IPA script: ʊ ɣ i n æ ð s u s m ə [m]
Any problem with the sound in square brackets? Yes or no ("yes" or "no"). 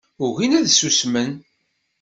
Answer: yes